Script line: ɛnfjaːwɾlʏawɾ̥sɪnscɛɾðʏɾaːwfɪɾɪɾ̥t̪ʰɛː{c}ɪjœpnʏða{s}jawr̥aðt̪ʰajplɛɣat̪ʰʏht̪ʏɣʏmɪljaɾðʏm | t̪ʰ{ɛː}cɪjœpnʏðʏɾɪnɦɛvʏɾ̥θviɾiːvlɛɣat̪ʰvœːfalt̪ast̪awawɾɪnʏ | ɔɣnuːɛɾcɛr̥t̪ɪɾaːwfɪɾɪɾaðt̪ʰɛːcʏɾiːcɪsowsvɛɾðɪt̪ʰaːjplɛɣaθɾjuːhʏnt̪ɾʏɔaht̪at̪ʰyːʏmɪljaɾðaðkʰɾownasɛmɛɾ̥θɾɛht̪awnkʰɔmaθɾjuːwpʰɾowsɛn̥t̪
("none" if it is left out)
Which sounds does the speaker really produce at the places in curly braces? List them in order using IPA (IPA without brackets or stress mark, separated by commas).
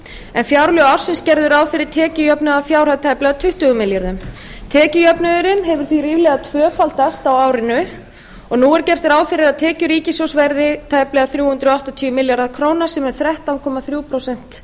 c, f, ɛː